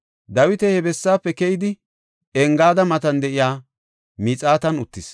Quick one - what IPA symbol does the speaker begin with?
d̪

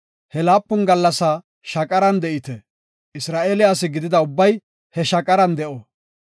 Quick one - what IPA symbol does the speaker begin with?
h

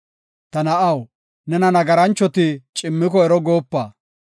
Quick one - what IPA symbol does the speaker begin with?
t̪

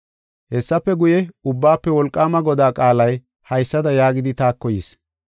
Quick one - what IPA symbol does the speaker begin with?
h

